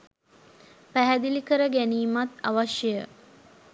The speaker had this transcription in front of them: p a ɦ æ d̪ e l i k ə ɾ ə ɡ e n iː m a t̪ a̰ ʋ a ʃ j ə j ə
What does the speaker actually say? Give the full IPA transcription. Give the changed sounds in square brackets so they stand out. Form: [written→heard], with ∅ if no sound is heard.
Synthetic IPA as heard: p [a→æ] ɦ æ d̪ [e→i] l i k ə ɾ ə ɡ [e→æ] n iː m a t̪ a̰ ʋ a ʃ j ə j ə